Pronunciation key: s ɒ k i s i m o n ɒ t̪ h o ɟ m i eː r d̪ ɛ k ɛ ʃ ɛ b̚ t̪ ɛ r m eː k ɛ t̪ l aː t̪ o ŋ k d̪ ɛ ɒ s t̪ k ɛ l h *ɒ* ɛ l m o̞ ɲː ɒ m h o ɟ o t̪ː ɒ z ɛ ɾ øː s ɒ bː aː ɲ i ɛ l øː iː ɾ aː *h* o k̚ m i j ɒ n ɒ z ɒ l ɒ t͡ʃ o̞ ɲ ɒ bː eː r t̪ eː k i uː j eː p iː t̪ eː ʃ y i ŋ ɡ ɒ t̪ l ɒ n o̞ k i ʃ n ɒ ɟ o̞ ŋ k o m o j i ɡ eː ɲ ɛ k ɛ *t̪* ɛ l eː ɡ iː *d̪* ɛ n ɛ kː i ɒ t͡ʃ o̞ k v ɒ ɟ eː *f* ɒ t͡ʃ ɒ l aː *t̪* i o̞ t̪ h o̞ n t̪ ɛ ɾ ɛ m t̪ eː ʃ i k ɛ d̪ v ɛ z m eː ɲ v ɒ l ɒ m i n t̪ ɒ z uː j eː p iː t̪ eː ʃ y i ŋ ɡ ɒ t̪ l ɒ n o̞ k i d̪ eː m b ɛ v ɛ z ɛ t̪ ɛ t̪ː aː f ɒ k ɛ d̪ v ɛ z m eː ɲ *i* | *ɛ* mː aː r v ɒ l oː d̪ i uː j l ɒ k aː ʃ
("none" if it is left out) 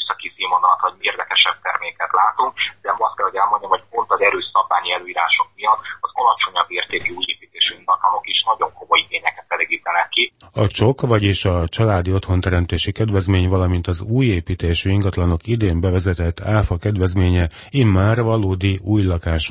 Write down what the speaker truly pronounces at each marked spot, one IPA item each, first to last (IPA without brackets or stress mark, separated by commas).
o, ʃ, t̪, t̪, ʃ, d̪, ɛ, i